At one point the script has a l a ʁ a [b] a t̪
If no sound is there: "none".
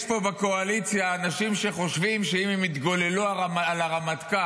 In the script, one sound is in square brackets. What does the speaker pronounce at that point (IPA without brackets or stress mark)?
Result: m